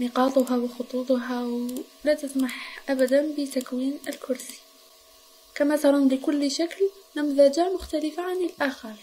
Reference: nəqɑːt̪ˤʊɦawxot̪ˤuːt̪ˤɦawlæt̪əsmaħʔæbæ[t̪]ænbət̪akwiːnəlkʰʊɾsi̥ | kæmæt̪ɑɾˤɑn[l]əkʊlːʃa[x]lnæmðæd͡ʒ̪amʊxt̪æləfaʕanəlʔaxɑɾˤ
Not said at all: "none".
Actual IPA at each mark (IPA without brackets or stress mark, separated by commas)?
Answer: d̪, l, k